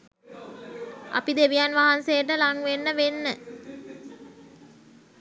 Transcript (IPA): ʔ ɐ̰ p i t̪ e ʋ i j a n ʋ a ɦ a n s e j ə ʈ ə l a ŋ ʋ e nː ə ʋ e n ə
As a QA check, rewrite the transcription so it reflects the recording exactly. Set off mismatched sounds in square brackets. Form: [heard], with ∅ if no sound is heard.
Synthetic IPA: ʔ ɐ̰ p i [d̪] e ʋ i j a n ʋ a ɦ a n s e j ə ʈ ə l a ŋ ʋ e nː ə ʋ e [nː] ə